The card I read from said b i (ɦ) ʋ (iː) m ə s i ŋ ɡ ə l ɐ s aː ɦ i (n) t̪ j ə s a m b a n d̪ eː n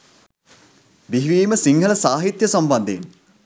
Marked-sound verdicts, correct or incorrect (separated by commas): correct, correct, incorrect